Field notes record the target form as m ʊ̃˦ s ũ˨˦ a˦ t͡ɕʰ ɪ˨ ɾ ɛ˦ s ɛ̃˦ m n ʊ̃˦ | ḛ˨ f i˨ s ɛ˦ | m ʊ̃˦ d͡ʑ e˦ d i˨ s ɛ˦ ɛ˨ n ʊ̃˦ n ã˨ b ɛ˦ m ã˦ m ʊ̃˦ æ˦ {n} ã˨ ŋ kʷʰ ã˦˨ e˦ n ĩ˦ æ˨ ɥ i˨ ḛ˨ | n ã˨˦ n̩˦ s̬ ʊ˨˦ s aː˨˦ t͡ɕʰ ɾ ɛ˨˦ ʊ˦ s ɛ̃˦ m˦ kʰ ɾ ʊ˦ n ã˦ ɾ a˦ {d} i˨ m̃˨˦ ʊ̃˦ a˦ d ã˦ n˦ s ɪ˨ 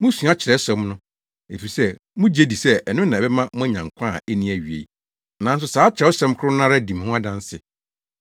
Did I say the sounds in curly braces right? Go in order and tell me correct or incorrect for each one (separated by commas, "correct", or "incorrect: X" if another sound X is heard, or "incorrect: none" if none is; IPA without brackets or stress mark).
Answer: incorrect: ɲ, correct